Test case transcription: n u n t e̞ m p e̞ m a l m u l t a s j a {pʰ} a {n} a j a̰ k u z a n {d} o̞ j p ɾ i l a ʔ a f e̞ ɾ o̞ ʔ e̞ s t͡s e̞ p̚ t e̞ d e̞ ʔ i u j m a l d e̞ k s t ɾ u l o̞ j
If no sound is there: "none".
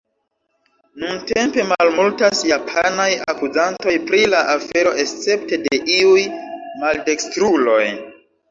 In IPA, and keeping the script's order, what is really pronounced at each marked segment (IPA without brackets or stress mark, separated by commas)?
pʰ, n, t